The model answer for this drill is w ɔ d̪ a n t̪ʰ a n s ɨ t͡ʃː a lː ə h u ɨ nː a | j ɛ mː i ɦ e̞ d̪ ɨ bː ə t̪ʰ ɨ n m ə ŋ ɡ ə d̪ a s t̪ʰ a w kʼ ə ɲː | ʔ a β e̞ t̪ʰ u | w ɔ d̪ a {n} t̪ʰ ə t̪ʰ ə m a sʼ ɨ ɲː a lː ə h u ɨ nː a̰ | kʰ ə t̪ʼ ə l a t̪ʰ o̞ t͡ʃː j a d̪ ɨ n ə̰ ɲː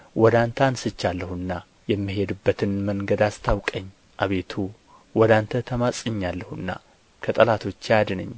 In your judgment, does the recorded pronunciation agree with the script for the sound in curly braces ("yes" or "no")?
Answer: yes